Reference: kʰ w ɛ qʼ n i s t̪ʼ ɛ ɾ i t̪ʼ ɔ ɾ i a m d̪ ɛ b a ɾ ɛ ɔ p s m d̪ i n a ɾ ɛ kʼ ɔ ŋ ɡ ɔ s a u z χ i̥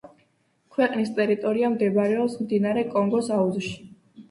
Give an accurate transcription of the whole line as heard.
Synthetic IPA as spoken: kʰ w ɛ qʼ n i s t̪ʼ ɛ ɾ i t̪ʼ ɔ ɾ i a m d̪ ɛ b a ɾ ɛ ɔ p s m d̪ i n a ɾ ɛ kʼ ɔ ŋ ɡ ɔ s a u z ʃ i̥